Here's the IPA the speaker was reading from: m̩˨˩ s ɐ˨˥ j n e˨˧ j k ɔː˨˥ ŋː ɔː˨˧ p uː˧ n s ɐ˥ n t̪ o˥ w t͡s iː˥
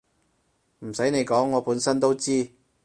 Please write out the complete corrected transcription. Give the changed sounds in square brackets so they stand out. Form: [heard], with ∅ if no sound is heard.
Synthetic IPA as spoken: m̩˨˩ s ɐ˨˥ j n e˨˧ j k ɔː˨˥ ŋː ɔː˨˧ p [uː˨˥] n s ɐ˥ n t̪ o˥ w t͡s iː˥

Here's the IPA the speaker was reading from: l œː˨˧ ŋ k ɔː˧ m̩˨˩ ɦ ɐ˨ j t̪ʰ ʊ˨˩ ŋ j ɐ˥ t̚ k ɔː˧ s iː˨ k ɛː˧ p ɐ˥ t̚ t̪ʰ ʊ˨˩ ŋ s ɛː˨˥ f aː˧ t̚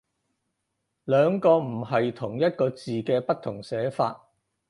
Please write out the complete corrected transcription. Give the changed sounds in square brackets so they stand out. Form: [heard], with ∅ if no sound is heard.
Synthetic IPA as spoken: l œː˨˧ ŋ k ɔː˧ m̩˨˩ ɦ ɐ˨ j t̪ʰ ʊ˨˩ ŋ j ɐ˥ t̚ k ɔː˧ [t͡s] iː˨ k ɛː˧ p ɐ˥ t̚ t̪ʰ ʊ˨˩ ŋ s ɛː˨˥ f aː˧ t̚

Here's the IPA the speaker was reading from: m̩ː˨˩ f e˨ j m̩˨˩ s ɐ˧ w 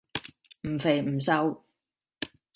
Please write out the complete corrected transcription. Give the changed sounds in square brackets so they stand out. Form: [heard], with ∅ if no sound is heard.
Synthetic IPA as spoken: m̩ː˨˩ f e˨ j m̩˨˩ s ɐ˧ w

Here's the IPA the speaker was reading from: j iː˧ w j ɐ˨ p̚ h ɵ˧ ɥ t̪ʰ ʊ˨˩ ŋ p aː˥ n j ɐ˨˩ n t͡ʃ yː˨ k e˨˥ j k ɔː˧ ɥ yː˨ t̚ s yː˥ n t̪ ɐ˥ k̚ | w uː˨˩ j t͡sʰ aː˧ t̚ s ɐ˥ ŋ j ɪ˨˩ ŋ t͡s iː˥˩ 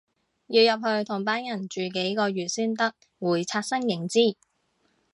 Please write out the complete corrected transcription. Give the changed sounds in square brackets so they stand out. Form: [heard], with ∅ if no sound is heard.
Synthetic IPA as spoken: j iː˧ w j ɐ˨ p̚ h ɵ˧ ɥ t̪ʰ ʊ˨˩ ŋ p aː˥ n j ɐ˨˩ n t͡ʃ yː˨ k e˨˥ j k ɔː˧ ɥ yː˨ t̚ s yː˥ n t̪ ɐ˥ k̚ | w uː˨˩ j t͡sʰ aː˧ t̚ s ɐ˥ ŋ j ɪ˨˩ ŋ t͡s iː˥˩

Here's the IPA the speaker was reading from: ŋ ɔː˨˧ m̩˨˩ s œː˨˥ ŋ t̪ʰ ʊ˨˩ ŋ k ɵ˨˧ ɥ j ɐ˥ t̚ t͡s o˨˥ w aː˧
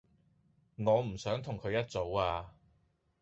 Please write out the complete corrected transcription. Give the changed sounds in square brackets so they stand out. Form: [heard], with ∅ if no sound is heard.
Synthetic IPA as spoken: ŋ ɔː˨˧ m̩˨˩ s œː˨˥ ŋ t̪ʰ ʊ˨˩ ŋ [kʰ] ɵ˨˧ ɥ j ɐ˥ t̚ t͡s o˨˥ w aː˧

